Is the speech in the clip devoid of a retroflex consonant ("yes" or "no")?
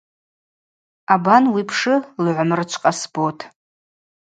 no